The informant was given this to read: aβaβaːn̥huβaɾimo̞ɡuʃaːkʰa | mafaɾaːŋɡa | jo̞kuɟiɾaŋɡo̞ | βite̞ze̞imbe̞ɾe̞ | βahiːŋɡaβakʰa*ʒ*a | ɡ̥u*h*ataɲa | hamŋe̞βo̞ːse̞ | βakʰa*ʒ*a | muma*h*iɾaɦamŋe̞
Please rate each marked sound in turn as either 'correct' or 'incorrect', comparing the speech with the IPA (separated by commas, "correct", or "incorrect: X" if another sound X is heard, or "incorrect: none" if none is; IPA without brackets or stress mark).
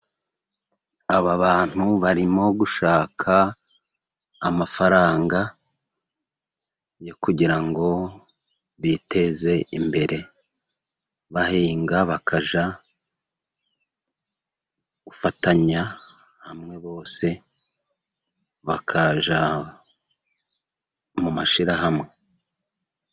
correct, incorrect: f, correct, incorrect: ʃ